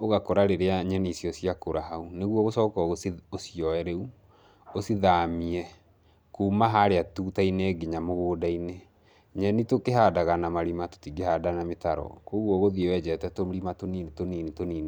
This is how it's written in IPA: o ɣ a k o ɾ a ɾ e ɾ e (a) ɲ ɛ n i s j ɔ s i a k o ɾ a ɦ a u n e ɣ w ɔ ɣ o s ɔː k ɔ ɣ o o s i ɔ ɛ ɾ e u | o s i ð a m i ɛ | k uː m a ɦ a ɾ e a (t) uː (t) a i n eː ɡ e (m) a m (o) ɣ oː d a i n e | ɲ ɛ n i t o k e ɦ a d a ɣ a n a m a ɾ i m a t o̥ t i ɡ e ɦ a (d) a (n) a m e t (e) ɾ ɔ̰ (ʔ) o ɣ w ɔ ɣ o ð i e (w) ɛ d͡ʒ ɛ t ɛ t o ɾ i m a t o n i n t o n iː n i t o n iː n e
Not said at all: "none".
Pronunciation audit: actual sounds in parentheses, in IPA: a, t, t, ɲ, o, d, n, a, k, w

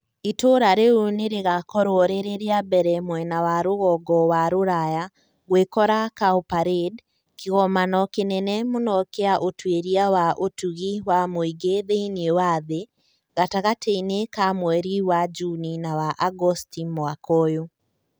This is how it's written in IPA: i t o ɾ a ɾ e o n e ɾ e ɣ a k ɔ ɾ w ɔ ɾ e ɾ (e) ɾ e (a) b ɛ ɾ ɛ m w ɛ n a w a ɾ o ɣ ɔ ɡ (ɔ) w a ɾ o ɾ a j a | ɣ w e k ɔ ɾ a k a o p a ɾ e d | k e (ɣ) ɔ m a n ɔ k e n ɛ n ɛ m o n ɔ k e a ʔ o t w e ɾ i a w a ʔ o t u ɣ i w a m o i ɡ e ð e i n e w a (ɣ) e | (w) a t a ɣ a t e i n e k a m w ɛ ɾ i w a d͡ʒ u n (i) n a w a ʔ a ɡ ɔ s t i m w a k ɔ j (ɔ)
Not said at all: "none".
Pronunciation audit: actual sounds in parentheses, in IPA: e, a, ɔ, ɣ, ð, ɣ, i, o

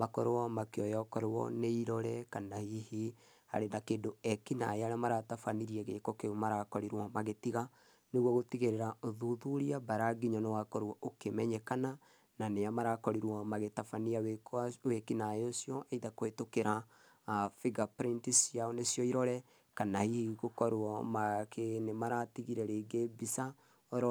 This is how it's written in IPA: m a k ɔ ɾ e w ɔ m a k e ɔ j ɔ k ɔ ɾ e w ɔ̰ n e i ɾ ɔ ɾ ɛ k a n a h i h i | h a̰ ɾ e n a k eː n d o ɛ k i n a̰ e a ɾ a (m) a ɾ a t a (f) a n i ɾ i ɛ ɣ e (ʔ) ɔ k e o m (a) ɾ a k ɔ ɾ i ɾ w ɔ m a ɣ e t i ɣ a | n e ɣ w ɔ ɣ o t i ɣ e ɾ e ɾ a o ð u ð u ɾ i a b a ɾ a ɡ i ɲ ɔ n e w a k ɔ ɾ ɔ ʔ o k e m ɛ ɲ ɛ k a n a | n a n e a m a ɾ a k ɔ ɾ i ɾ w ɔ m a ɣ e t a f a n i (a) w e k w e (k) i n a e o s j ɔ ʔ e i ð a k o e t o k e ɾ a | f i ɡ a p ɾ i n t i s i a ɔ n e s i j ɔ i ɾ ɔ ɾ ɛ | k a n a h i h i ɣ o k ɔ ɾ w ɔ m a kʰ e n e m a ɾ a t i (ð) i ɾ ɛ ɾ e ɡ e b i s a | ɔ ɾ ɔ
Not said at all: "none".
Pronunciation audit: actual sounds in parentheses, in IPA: m, f, k, a, a, k, ɣ

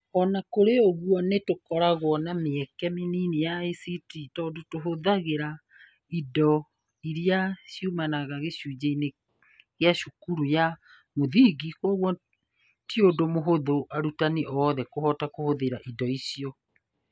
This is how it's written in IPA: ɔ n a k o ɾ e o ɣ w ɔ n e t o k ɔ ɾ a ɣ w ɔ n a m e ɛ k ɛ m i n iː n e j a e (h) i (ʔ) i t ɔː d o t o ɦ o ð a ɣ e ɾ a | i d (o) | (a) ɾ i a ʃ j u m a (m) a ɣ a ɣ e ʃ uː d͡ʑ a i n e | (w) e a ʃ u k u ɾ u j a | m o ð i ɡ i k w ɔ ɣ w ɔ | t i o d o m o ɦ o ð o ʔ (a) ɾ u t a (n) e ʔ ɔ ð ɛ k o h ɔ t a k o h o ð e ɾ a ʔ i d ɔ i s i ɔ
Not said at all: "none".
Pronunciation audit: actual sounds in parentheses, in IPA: s, t, ɔ, i, n, ɣ, a, n

